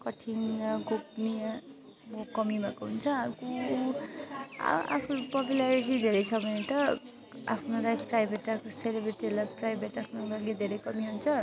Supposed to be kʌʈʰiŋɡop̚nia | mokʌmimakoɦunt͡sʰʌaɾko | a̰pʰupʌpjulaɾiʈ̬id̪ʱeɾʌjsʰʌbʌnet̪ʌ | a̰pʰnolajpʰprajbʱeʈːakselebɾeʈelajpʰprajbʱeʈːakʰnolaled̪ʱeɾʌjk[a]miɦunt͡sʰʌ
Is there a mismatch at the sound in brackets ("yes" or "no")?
yes